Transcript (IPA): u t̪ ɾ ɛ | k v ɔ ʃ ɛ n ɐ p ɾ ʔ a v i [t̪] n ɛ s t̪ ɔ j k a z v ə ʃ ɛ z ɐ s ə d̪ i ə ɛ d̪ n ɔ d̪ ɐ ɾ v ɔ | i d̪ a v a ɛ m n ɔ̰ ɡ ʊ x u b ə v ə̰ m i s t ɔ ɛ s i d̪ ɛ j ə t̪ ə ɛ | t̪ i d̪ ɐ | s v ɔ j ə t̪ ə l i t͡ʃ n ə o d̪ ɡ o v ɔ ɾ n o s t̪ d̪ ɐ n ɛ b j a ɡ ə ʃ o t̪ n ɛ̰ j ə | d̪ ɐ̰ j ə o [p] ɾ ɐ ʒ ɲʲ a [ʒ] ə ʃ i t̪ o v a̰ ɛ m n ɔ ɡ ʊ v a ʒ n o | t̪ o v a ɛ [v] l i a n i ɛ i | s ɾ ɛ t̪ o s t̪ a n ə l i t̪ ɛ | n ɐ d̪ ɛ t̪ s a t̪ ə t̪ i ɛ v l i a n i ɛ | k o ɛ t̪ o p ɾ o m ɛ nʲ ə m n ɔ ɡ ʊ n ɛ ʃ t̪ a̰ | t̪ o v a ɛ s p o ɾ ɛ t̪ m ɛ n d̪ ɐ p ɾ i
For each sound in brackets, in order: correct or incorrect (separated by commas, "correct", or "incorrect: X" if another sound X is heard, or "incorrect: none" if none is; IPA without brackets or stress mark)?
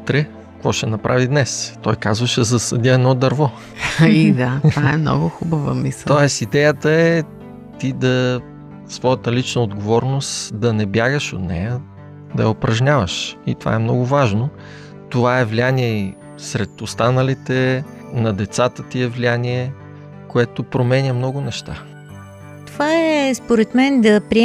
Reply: incorrect: d̪, correct, incorrect: v, correct